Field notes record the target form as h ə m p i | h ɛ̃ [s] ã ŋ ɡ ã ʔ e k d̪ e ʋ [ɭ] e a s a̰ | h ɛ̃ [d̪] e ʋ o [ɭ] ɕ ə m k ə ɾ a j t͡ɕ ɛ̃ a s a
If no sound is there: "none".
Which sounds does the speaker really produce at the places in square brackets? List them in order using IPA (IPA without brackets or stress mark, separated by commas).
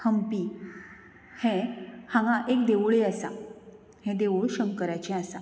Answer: h, ɭ, d̪, ɭ